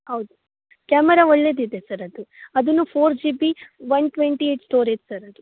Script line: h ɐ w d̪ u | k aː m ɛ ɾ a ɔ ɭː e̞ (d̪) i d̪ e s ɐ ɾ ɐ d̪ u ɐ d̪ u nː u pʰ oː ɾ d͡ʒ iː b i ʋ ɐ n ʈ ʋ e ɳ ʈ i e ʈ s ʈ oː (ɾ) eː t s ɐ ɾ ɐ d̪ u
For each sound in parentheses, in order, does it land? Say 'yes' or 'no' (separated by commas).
yes, yes